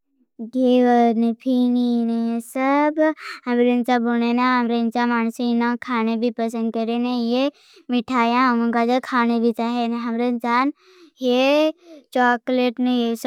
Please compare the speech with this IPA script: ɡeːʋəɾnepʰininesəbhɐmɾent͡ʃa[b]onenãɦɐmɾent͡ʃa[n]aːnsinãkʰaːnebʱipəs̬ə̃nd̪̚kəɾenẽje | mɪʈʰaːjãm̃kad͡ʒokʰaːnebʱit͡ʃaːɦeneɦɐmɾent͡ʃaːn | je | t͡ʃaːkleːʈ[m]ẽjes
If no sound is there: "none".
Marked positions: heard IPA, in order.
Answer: b, m, n

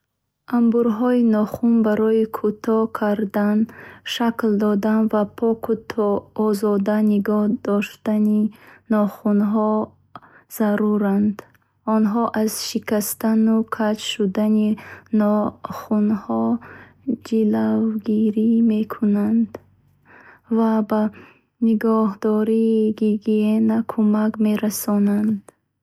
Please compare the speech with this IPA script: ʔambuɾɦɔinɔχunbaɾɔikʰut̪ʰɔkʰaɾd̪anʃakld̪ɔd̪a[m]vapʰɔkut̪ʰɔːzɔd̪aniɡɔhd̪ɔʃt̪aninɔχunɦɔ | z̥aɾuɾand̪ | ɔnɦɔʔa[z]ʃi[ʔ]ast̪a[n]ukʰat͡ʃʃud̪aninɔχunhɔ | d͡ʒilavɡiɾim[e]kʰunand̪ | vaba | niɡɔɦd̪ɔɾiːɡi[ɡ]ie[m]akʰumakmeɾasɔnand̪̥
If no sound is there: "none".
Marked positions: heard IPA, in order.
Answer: n, z, k, n, e, ɡ, n

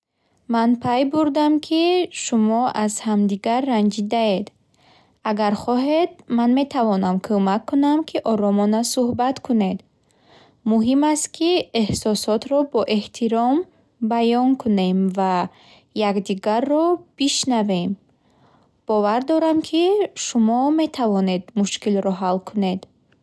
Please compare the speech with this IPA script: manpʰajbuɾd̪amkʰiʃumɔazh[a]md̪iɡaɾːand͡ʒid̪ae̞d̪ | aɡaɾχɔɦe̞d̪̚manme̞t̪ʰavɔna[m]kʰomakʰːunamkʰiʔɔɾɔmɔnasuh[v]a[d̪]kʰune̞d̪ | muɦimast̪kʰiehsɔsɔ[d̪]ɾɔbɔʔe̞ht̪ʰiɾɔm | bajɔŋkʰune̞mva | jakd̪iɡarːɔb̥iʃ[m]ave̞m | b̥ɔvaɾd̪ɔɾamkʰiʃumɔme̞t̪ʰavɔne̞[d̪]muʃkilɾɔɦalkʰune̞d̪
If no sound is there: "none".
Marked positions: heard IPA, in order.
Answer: a, m, b, t̪, t̪, n, d̪

